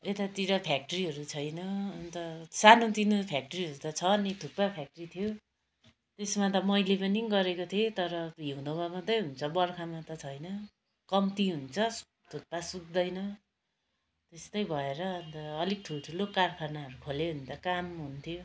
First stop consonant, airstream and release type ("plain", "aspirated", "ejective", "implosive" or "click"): plain